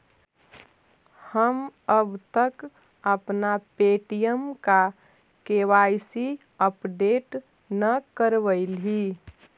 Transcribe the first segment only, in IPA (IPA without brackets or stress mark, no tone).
h